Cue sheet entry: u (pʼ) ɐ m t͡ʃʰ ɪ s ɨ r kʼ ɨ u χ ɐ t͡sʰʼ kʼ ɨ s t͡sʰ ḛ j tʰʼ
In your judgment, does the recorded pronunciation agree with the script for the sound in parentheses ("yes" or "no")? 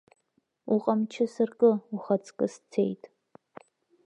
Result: no